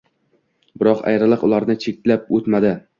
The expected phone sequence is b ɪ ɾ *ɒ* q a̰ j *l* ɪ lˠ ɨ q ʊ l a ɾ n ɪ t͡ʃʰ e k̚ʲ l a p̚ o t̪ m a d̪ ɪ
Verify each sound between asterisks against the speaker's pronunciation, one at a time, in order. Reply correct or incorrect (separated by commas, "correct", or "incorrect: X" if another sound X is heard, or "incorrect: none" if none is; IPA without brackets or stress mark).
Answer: correct, incorrect: ɾ